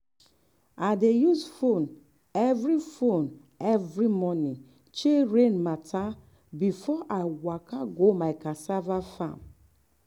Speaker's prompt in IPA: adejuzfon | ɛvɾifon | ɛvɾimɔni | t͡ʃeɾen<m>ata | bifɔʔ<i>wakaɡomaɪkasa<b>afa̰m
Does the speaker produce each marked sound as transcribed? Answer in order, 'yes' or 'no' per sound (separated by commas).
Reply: yes, no, no